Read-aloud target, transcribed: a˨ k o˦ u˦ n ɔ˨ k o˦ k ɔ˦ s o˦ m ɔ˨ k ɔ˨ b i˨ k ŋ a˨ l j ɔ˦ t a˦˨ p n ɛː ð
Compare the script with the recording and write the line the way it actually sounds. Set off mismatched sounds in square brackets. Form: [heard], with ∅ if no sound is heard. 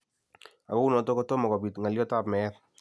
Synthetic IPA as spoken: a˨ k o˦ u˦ n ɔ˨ [t] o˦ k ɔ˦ [t] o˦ m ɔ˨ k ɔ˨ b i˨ [t] ŋ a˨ l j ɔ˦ t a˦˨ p [m] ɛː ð

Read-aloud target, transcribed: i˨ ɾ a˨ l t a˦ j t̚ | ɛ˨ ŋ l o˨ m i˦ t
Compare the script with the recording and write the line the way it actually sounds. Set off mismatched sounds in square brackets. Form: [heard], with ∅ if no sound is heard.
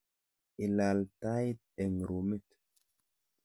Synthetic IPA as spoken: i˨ [l] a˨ l t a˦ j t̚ | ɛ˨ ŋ [ɾ] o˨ m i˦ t

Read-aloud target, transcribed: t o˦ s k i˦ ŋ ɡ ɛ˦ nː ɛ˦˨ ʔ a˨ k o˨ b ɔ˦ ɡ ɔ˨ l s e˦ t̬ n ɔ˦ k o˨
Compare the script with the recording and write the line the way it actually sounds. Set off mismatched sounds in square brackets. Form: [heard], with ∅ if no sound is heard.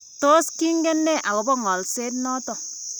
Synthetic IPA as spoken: t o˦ s k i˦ ŋ ɡ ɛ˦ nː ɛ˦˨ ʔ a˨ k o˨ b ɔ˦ [ŋ] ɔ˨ l s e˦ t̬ n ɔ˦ [t] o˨

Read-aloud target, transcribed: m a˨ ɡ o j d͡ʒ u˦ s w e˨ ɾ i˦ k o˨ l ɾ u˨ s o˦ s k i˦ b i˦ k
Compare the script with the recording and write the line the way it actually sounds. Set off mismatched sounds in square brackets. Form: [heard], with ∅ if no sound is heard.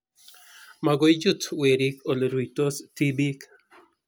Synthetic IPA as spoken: m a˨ ɡ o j d͡ʒ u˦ [t] w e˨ ɾ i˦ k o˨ l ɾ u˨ [t] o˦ s [t] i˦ b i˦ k

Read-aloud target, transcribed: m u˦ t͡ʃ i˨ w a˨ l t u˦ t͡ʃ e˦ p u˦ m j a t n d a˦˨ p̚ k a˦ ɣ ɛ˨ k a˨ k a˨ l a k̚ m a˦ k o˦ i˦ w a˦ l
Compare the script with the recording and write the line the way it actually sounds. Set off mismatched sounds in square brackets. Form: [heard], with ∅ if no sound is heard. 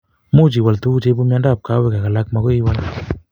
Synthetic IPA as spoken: m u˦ t͡ʃ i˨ w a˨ l t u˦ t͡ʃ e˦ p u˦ m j a [∅] n d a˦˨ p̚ k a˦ [w] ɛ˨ k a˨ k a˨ l a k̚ m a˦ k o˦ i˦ w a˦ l

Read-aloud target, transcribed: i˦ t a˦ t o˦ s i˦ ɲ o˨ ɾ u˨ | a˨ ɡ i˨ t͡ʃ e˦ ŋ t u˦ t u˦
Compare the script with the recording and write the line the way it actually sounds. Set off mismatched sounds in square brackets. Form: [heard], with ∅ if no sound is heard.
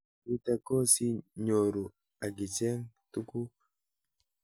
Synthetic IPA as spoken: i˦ t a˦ [k] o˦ s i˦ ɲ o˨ ɾ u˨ | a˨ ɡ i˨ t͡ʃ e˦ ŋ t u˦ [k] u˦

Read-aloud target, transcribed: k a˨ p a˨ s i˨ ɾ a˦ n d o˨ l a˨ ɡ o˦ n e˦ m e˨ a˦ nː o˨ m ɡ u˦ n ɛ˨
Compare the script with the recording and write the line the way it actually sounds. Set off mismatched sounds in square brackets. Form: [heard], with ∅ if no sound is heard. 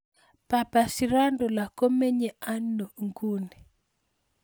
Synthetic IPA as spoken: [p] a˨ p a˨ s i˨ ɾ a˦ n d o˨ l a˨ [k] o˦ [m] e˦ [ɲ] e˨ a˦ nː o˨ [ŋ] ɡ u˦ n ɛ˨

